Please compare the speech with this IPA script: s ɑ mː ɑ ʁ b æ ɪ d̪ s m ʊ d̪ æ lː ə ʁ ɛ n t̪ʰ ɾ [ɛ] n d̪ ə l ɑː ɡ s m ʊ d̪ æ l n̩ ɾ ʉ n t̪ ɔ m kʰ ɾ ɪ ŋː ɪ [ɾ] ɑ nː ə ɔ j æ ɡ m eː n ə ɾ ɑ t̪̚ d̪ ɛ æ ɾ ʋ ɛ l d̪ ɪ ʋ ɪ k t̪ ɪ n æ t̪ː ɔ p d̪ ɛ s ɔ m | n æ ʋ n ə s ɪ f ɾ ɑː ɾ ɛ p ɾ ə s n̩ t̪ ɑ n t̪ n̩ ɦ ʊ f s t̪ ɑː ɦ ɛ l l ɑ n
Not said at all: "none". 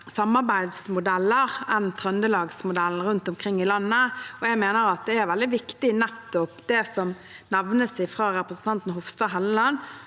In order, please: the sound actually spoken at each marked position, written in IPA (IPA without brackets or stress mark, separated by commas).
œ, l